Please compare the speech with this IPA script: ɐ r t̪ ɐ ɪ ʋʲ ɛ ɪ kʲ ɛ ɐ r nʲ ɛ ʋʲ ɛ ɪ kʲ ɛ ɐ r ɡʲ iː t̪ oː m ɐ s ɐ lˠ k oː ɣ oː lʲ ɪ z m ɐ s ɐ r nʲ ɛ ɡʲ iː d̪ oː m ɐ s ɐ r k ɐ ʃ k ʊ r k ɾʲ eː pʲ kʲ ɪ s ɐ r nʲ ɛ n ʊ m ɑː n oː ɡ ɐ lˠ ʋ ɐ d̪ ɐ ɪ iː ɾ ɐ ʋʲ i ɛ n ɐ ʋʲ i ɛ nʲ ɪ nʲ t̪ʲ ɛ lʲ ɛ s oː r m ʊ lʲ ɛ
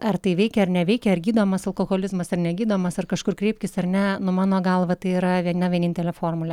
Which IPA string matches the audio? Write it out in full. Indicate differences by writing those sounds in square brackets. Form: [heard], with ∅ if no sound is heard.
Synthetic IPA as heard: ɐ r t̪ ɐ ɪ ʋʲ ɛ ɪ kʲ ɛ ɐ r nʲ ɛ ʋʲ ɛ ɪ kʲ ɛ ɐ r ɡʲ iː [d̪] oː m ɐ s ɐ lˠ k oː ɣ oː lʲ ɪ z m ɐ s ɐ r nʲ ɛ ɡʲ iː d̪ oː m ɐ s ɐ r k ɐ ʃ k ʊ r k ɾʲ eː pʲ kʲ ɪ s ɐ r nʲ ɛ n ʊ m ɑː n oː ɡ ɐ lˠ ʋ ɐ [t̪] ɐ ɪ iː ɾ ɐ ʋʲ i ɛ n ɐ ʋʲ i ɛ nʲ ɪ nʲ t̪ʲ ɛ lʲ ɛ [f] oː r m ʊ lʲ ɛ